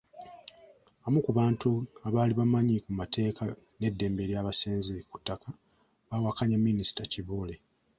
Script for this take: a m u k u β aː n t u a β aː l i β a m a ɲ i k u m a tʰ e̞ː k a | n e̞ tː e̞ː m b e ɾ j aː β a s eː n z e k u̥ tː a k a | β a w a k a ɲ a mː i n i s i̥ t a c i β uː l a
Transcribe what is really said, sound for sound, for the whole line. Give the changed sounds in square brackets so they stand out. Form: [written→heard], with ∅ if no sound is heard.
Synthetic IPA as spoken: a m u k u β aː n t u a β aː l i β a m a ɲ i k u m a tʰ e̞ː k a | n e̞ [tː→dː] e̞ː m b e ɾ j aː β a s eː n z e k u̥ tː a k a | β a w a k a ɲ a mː i n i s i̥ t a c i β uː l [a→e]